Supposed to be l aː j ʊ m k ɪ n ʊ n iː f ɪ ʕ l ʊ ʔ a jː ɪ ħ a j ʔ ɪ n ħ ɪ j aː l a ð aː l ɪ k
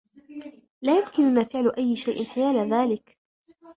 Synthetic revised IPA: l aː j ʊ m k ɪ n ʊ n aː f ɪ ʕ l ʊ ʔ a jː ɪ ʃ a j ʔ ɪ n ħ ɪ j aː l a ð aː l ɪ k